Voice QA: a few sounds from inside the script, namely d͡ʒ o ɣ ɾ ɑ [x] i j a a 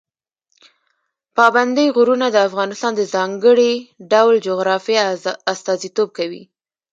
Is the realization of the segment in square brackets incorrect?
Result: yes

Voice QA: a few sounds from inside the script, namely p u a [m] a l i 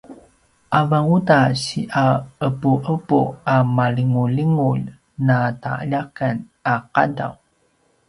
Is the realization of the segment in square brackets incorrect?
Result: no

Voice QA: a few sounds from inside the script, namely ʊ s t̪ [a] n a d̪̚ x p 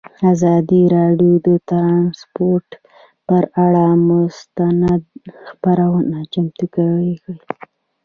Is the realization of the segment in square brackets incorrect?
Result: no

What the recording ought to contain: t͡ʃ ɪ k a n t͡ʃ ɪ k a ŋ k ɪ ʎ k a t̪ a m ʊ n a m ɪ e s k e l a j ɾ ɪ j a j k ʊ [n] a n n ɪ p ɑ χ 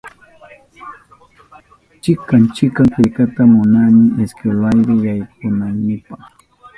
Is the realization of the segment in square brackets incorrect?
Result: no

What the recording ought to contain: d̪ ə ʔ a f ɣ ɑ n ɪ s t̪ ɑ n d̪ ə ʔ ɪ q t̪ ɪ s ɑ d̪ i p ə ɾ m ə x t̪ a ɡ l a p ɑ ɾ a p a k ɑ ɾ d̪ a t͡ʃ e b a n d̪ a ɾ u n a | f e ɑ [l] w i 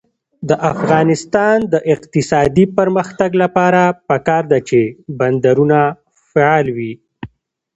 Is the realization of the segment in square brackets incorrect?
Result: no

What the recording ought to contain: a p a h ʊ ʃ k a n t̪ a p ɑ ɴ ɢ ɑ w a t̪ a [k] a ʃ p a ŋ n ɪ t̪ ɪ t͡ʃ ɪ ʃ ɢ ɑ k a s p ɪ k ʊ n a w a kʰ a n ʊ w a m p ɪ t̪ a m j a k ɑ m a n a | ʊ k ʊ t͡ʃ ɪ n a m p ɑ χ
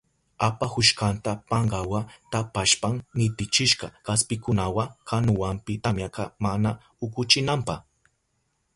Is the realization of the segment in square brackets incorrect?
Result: yes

